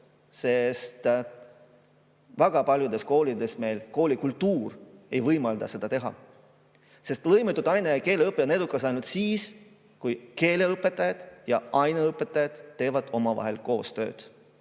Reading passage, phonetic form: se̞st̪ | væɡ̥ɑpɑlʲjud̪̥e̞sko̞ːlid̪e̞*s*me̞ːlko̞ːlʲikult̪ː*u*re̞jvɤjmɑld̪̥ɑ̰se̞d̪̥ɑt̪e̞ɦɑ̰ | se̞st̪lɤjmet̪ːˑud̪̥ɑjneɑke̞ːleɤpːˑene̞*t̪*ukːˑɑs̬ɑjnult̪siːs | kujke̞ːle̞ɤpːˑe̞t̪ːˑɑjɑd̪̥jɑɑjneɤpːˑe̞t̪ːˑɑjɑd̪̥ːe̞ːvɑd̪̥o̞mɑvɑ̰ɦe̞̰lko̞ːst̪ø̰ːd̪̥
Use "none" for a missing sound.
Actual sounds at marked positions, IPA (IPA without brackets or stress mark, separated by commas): s, uː, d̪